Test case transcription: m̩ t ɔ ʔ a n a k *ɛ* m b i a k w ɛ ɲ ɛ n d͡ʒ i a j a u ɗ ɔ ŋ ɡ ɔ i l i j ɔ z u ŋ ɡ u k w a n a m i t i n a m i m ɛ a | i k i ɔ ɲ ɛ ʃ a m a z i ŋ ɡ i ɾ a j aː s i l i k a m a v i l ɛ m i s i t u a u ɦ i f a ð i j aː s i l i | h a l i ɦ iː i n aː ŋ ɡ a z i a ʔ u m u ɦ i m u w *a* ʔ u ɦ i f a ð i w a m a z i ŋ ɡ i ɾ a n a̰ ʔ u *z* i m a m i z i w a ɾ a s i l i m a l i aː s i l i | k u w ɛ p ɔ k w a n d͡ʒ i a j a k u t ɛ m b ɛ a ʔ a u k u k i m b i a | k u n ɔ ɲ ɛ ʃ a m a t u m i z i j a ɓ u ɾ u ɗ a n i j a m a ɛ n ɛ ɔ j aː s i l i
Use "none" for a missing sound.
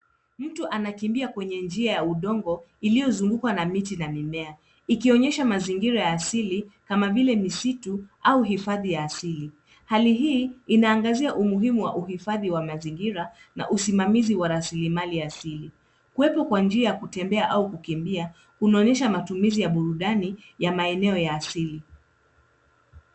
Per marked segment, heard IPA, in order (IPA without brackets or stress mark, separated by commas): i, a, s